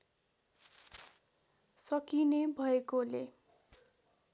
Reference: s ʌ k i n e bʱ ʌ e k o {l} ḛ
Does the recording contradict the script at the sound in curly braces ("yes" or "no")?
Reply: no